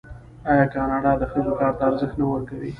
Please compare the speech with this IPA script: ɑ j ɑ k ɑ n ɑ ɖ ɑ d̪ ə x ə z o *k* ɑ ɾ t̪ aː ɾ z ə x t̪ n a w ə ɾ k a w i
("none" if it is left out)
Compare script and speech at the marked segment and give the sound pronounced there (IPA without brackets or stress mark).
k